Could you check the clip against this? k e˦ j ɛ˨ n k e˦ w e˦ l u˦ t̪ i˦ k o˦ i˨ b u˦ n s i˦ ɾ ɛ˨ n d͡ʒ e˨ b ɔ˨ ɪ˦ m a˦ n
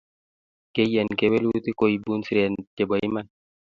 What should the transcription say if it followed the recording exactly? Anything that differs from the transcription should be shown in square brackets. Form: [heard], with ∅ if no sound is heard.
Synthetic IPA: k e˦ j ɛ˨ n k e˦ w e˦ l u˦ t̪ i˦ k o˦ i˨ b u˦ n s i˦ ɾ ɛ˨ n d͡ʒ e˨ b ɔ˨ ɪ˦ m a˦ n